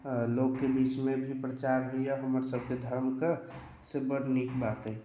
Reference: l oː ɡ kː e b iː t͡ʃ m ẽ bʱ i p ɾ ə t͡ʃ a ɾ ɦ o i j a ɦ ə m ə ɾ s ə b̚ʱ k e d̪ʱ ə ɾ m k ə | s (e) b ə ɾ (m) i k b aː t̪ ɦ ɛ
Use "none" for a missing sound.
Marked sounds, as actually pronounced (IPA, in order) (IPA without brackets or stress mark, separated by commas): e, n